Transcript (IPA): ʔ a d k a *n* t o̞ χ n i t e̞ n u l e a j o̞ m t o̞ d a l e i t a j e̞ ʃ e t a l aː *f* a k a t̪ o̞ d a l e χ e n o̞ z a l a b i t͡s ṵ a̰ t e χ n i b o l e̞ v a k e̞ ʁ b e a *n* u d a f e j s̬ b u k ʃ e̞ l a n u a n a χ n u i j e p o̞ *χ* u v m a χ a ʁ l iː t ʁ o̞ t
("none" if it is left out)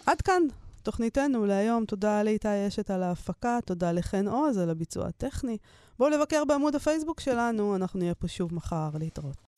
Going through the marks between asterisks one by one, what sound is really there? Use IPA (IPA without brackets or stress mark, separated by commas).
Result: n, f, m, ʃ